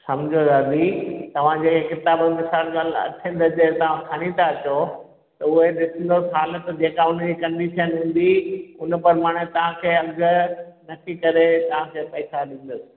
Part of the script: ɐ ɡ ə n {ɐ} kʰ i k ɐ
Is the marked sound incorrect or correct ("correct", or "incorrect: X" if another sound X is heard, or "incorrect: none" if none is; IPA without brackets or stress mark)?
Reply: correct